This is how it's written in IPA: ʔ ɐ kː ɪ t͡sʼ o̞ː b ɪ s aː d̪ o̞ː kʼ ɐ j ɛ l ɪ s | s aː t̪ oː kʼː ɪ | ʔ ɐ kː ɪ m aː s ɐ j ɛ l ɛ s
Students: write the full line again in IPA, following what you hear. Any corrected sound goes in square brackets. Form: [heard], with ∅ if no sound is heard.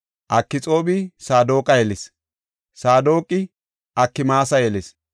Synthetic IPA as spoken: ʔ ɐ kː ɪ t͡sʼ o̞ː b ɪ s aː d̪ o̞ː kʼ ɐ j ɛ l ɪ s | s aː [d̪] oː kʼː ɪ | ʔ ɐ kː ɪ m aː s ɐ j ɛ l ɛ s